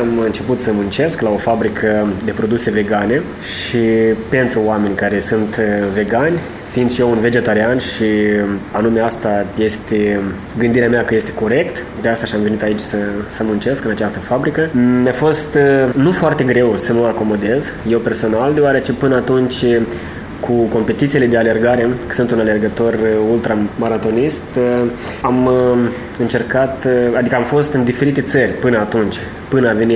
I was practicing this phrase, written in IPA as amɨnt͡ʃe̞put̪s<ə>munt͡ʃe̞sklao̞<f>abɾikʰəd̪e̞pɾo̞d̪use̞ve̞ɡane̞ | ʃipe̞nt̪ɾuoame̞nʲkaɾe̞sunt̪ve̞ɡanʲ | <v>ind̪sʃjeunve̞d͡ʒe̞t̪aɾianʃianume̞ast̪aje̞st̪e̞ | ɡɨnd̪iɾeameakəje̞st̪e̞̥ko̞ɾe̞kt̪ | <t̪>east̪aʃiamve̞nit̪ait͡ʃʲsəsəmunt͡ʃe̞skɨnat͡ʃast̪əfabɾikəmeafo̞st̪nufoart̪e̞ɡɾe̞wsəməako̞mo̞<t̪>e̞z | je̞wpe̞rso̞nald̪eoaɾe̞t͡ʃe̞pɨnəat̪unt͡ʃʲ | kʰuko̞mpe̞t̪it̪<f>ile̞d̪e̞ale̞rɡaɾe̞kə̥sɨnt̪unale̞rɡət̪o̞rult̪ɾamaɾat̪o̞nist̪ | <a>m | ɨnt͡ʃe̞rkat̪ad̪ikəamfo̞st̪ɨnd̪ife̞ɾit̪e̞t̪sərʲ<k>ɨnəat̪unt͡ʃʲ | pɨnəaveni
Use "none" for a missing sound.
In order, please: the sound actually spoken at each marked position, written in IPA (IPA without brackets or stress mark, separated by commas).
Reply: ə, f, f, d̪, d̪, s, a, p